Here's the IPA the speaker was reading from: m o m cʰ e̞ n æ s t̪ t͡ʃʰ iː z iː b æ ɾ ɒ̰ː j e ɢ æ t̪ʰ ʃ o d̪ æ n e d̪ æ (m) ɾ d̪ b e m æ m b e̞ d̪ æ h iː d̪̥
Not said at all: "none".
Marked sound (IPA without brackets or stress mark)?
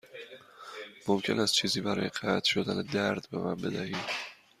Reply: none